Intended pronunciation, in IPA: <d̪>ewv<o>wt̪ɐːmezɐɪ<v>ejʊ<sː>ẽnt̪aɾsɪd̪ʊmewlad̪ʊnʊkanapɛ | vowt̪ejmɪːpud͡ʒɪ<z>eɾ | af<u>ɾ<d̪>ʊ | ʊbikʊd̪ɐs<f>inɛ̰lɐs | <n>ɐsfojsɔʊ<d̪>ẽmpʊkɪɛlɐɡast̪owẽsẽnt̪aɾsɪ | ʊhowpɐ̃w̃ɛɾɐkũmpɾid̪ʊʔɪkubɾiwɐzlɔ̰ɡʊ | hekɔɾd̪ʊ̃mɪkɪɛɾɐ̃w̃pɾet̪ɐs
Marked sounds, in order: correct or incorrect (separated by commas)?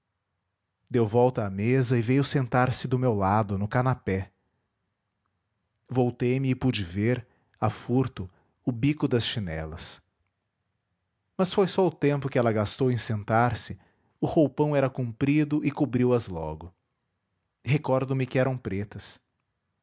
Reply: correct, incorrect, correct, incorrect, incorrect, correct, incorrect, incorrect, incorrect, incorrect